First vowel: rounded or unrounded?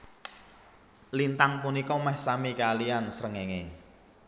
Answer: unrounded